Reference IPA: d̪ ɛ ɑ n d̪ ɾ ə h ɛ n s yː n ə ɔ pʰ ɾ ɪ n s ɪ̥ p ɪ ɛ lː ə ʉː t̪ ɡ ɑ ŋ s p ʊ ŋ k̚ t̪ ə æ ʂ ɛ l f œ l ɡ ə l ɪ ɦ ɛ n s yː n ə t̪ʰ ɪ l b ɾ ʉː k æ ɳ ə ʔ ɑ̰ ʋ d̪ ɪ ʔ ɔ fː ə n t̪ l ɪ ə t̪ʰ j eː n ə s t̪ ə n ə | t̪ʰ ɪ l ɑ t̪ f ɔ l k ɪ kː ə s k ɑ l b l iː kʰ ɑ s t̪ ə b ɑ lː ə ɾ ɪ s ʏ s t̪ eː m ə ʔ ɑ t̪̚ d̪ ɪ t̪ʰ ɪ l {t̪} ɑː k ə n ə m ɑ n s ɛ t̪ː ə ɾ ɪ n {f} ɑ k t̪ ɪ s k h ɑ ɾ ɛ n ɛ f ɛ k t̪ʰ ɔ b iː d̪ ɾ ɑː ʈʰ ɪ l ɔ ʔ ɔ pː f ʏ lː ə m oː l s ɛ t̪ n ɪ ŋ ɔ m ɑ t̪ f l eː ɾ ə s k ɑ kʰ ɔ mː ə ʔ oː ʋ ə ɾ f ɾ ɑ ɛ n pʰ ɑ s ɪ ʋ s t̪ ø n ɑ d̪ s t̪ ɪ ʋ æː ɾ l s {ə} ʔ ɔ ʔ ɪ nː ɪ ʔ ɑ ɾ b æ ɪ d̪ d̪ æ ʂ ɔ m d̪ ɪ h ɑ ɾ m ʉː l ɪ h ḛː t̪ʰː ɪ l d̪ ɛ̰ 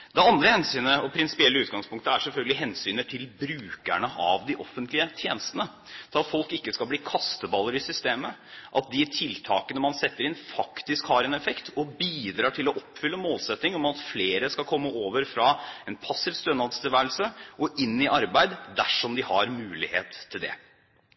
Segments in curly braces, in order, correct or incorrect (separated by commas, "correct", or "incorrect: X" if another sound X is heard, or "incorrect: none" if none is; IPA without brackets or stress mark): incorrect: t̪ʰ, correct, correct